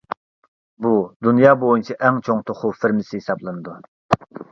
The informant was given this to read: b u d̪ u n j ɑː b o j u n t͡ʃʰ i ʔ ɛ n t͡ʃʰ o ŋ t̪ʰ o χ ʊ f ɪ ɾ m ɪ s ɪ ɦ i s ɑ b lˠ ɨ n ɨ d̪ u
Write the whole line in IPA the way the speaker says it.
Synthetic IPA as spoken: b u d̪ u n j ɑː b o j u n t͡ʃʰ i ʔ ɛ ŋ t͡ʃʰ o ŋ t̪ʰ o χ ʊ f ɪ ɾ m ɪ s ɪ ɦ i s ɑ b lˠ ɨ n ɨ d̪ u